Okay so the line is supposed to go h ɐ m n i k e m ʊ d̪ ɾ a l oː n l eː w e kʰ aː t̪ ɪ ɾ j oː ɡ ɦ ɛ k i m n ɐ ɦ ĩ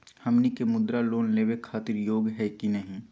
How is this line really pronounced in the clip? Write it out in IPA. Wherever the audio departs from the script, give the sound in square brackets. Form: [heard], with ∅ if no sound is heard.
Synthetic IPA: h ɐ m n i k e m ʊ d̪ ɾ a l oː n l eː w e kʰ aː t̪ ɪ ɾ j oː ɡ ɦ ɛ k i [∅] n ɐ ɦ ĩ